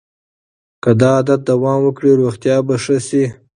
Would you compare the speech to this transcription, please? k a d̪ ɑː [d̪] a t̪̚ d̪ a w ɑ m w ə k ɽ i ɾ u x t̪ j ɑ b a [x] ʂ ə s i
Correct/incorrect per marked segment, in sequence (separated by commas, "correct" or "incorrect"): correct, incorrect